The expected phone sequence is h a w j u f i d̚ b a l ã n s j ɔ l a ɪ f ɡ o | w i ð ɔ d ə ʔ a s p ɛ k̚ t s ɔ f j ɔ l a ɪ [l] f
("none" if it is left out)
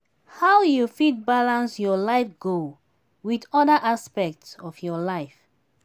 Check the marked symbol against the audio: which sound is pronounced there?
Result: none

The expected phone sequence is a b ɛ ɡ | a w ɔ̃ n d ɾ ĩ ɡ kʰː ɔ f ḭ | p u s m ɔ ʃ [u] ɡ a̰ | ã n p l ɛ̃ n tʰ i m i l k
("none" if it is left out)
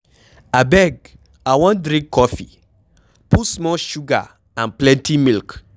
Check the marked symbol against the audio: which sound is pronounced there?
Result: u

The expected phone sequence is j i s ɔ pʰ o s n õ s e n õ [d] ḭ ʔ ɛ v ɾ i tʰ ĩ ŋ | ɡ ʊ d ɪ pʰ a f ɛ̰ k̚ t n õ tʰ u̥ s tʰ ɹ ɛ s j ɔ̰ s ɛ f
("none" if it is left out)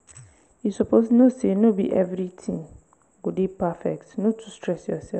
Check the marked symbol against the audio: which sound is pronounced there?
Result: b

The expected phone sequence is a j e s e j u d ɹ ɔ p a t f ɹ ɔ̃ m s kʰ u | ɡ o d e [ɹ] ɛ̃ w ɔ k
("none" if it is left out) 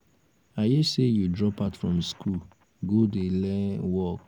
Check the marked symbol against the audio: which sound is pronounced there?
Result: l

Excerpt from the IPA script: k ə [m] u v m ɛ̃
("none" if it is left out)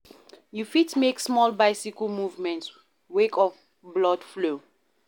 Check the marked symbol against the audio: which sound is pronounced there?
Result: m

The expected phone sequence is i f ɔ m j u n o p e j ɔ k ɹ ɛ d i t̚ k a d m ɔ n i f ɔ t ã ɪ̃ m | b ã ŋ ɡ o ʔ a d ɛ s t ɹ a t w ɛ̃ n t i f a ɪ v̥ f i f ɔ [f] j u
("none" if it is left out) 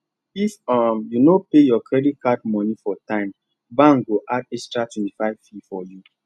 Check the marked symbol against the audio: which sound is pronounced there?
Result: none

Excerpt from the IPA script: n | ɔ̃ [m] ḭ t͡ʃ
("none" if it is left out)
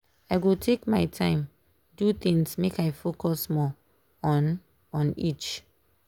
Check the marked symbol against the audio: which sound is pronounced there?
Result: n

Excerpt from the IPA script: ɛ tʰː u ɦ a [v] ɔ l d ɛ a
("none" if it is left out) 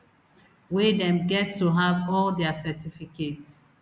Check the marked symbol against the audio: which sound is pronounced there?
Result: v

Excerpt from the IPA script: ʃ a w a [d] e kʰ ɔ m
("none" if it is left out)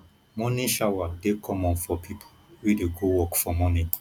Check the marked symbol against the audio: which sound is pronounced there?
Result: d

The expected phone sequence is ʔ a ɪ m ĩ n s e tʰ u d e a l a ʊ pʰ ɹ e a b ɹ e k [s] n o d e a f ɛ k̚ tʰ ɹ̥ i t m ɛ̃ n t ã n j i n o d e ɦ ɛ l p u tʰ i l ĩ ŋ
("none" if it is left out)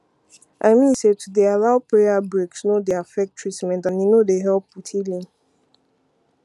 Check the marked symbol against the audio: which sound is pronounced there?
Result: s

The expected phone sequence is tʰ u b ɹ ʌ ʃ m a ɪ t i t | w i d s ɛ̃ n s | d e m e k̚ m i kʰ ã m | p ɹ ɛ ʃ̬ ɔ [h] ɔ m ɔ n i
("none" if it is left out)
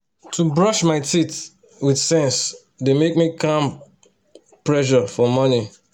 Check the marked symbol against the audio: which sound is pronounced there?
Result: f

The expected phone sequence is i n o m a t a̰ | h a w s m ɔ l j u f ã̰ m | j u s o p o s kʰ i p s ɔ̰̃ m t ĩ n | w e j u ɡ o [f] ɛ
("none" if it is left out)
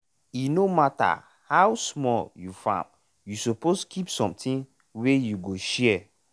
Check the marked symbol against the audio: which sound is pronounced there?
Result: ʃ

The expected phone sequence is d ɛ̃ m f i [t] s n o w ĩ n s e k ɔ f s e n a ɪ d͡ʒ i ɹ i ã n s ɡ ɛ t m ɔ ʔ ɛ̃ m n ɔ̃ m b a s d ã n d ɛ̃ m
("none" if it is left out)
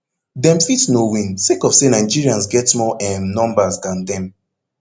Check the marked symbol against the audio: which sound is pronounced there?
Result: t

